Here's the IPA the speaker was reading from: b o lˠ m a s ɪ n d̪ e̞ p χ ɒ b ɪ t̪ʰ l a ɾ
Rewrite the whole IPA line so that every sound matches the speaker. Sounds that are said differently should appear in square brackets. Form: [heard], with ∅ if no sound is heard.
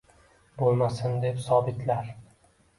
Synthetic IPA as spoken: b o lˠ m a s ɪ n d̪ e̞ p [s] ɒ b ɪ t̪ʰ l a ɾ